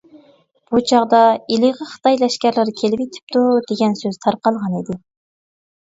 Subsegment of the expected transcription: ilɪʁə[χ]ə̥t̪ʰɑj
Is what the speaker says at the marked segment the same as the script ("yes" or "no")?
yes